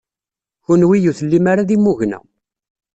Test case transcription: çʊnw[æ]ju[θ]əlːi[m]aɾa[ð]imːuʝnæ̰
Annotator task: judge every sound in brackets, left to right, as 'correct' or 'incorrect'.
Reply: incorrect: i, correct, correct, correct

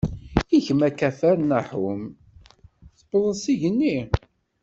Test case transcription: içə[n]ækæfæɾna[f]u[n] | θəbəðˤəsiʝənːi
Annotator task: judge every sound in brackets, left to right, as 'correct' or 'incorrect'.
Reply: incorrect: m, incorrect: ħ, incorrect: m

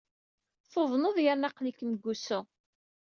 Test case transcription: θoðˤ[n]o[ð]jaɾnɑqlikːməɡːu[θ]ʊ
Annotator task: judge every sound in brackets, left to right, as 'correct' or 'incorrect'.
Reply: correct, correct, incorrect: s

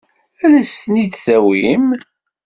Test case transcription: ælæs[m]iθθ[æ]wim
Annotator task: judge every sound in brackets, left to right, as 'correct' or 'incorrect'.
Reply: incorrect: n, correct

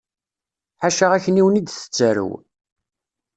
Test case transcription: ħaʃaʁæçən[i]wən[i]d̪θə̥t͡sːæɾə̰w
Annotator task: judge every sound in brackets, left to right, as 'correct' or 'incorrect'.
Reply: correct, correct

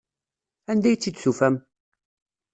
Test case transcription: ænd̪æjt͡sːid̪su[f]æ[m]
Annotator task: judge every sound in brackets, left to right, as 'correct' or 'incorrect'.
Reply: correct, correct

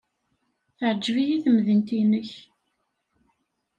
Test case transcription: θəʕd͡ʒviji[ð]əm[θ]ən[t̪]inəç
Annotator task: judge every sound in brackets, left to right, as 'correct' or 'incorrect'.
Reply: incorrect: θ, incorrect: ð, correct

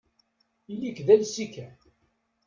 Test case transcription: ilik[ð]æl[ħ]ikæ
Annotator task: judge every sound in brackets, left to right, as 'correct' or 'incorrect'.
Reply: correct, incorrect: s

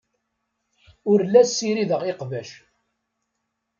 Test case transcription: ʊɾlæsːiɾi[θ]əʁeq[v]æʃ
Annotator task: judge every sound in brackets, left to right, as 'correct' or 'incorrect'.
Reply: incorrect: ð, correct

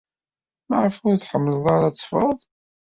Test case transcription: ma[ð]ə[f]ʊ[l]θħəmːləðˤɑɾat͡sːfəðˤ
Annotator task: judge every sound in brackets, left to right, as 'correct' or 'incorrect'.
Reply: incorrect: ʕ, correct, incorrect: ɾ

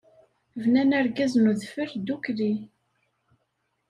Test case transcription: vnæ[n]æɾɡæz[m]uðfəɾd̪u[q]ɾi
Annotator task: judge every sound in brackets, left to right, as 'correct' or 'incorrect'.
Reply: correct, incorrect: n, incorrect: k

